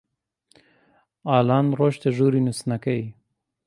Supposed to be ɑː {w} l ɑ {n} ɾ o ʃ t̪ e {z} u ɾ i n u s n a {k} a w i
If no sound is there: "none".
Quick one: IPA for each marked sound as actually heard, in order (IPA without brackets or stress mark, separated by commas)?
none, n, ʒ, k